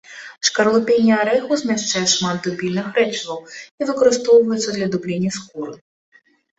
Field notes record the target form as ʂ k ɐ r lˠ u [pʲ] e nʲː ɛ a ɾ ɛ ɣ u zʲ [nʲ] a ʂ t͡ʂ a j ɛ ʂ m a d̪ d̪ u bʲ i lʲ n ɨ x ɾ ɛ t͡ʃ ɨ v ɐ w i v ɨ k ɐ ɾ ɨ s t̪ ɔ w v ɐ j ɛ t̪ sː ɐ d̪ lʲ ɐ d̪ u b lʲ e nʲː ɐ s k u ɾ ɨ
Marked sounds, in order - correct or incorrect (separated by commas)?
correct, incorrect